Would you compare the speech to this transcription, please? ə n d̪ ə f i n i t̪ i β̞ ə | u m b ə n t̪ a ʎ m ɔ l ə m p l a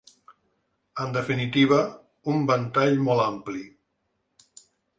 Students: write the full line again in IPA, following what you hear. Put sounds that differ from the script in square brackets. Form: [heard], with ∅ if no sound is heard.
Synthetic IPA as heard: ə n d̪ ə f i n i t̪ i β̞ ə | u m b ə n t̪ a ʎ m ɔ l [a] m p l [i]